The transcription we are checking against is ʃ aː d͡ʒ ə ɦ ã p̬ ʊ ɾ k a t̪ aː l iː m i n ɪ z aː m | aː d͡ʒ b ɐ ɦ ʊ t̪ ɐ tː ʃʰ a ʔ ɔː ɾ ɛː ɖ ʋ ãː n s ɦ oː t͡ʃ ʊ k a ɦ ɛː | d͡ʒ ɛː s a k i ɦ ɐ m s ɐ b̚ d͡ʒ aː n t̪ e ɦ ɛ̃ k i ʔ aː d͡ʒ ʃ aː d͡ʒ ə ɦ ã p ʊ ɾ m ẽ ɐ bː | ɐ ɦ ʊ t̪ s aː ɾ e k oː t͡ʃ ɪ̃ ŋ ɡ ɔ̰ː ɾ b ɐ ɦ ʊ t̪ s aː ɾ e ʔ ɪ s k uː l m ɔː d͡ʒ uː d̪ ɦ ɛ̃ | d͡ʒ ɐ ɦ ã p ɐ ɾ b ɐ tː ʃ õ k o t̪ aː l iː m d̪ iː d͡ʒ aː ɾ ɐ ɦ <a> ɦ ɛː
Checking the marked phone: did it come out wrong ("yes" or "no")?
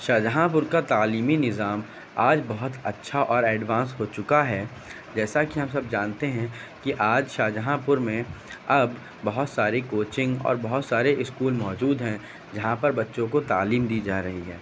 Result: yes